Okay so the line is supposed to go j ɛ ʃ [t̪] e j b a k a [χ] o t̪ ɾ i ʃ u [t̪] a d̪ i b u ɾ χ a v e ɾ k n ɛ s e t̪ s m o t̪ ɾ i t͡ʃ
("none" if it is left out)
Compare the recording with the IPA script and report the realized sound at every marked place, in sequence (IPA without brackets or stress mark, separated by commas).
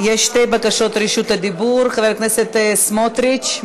t̪, ʃ, t̪